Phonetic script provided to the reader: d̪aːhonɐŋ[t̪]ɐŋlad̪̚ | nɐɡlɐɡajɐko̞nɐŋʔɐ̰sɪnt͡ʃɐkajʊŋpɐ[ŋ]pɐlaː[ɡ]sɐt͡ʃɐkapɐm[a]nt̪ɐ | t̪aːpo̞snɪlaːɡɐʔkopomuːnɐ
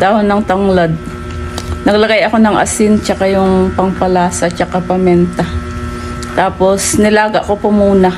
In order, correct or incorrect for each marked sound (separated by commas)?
correct, correct, incorrect, incorrect